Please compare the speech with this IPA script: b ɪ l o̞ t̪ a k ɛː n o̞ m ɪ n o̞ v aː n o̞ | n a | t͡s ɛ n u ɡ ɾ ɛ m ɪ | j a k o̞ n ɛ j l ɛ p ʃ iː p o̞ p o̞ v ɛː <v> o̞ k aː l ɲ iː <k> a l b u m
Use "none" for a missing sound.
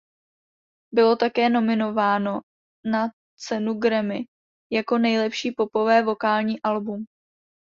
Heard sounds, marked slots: v, ʔ

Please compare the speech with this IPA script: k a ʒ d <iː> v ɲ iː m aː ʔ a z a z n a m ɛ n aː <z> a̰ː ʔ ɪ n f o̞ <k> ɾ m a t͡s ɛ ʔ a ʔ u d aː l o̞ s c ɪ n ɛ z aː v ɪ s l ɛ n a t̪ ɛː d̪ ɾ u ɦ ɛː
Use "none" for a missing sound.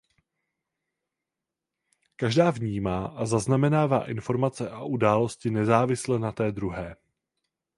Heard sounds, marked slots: aː, v, none

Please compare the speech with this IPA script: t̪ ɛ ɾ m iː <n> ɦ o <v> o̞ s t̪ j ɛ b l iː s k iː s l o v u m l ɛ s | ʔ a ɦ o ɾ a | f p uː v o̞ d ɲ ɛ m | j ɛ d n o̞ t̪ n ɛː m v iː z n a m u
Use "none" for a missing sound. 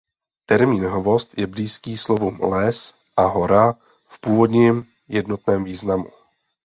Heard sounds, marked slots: n, v

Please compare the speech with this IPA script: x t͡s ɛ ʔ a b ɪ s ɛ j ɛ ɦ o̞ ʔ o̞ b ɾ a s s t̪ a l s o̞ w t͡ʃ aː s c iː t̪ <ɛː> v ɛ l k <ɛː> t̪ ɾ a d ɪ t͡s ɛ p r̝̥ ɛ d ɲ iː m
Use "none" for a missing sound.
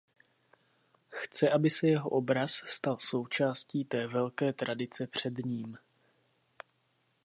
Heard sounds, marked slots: ɛː, ɛː

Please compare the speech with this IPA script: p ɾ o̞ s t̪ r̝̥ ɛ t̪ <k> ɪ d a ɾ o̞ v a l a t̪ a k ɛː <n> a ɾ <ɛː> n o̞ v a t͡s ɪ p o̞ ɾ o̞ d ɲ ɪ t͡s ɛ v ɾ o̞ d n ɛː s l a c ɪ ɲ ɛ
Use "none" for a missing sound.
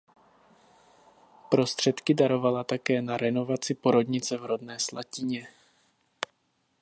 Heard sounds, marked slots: k, n, ɛ

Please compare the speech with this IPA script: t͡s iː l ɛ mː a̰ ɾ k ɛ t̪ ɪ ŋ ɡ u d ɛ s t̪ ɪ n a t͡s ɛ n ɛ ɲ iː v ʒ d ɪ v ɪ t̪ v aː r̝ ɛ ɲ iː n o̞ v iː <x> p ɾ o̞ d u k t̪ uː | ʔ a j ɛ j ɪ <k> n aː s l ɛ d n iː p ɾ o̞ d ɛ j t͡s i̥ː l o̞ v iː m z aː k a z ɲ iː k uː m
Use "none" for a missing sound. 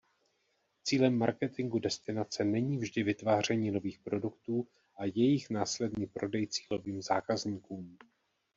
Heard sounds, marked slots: x, x

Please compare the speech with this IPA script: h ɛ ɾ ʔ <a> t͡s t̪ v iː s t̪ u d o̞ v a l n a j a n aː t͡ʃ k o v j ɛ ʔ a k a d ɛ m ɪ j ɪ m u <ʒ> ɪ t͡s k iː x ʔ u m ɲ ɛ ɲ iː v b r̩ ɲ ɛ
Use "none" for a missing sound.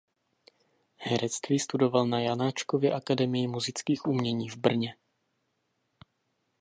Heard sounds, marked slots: ɛ, z

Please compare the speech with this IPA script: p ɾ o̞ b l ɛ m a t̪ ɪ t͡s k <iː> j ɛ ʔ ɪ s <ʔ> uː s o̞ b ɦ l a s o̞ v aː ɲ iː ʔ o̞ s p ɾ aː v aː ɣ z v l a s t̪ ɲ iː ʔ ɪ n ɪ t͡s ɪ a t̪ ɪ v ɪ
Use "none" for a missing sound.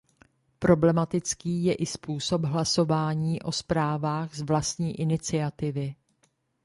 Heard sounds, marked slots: iː, p

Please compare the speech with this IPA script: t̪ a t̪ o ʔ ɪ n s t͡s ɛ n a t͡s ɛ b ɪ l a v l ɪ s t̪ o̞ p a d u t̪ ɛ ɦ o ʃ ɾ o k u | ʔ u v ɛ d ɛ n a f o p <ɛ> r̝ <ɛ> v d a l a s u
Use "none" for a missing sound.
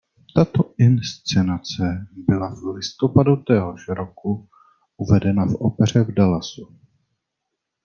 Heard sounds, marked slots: ɛ, ɛ

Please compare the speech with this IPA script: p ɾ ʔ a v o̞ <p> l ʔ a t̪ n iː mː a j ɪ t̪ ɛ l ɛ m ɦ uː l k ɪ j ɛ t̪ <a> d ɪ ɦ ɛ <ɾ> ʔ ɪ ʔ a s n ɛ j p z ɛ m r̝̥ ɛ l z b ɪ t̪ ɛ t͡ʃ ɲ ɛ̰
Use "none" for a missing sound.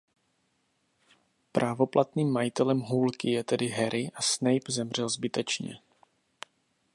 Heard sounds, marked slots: p, ɛ, ɾ

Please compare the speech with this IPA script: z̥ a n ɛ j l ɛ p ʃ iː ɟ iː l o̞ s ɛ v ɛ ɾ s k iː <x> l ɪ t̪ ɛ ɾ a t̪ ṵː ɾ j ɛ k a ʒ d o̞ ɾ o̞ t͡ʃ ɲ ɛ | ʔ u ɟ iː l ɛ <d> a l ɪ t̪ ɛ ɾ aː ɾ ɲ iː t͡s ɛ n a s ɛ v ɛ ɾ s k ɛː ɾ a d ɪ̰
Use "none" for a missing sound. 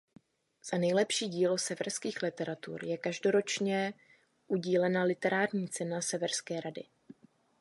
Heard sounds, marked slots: x, n

